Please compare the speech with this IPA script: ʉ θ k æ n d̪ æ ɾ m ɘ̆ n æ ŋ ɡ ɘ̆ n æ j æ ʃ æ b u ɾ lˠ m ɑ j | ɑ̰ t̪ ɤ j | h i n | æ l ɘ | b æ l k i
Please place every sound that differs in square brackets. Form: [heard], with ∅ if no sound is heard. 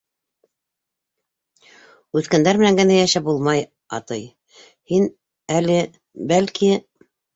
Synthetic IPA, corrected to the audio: ʉ θ k æ n d̪ æ ɾ m ɘ̆ n æ ŋ ɡ ɘ̆ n æ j æ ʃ æ b u [∅] lˠ m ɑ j | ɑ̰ t̪ ɤ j | h i n | æ l ɘ | b æ l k i